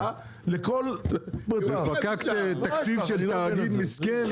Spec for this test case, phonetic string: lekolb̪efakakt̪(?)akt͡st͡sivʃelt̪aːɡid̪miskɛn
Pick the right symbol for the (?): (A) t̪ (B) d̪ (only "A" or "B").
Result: A